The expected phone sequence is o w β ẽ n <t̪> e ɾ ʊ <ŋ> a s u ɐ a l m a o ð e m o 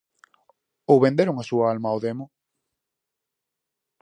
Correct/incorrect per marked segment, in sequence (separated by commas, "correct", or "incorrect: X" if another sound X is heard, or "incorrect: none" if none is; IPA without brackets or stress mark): incorrect: d̪, correct